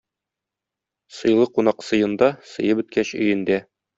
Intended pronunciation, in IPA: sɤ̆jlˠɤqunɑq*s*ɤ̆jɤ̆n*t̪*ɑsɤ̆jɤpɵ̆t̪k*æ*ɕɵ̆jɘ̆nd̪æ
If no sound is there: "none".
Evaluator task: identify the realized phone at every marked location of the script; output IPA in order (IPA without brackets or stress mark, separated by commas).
s, d̪, æ